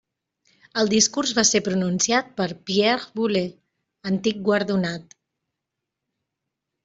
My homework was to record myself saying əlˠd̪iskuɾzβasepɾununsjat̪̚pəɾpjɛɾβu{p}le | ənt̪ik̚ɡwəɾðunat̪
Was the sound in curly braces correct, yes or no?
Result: no